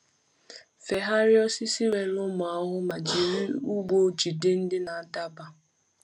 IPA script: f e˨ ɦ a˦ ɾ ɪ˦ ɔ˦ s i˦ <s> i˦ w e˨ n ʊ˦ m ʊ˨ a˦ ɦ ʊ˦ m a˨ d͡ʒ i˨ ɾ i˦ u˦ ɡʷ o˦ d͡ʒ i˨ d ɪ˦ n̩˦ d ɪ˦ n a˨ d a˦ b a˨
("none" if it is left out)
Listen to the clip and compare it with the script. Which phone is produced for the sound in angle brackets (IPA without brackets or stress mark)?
s